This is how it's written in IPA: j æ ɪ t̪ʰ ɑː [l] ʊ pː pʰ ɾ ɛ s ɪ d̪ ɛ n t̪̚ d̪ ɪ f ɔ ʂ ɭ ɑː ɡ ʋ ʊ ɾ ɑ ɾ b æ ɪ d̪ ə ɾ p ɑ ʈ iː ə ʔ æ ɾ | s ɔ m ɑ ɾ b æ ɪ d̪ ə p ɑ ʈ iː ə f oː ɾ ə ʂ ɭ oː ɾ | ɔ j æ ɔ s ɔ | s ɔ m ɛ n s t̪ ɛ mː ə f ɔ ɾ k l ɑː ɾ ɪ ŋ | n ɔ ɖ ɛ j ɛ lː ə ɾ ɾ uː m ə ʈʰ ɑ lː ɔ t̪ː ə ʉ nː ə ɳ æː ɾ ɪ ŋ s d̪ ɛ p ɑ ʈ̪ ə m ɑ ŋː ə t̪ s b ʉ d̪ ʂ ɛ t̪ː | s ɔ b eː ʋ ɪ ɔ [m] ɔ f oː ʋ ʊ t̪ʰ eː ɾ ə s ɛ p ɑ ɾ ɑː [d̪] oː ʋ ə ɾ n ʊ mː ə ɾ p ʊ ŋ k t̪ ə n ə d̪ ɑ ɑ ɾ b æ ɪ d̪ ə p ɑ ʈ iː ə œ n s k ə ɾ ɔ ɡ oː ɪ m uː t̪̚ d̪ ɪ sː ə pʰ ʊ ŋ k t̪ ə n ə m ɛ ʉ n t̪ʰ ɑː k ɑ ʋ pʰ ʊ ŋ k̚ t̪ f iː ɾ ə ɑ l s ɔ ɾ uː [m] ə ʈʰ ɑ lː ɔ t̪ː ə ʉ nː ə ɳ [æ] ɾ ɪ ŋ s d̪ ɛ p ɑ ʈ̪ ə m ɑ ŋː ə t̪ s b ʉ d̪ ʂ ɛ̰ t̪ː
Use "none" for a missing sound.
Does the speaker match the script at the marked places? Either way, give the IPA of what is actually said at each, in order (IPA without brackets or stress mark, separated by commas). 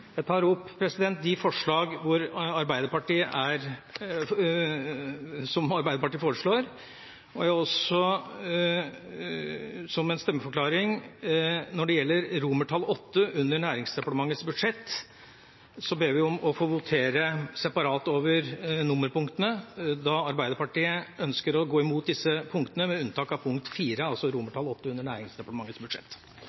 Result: ɾ, m, t̪, m, æː